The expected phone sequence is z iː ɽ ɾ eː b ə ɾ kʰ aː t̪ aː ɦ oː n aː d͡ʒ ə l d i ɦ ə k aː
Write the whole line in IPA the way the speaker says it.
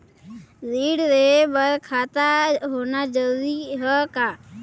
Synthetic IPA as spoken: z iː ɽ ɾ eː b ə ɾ kʰ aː t̪ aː ɦ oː n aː d͡ʒ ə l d i ɦ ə k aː